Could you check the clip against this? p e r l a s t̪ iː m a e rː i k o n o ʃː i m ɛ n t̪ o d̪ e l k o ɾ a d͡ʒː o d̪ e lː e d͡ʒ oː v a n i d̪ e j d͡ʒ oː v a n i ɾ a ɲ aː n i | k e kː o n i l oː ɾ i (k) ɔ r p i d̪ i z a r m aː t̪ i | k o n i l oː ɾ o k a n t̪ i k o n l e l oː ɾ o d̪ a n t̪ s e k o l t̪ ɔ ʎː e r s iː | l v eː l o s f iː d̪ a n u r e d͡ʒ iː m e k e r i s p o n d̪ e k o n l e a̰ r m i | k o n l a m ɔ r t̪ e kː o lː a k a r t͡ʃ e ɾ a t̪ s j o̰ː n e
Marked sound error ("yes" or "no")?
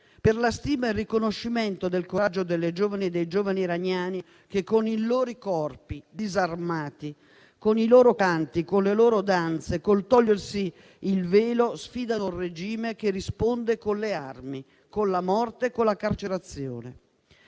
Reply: no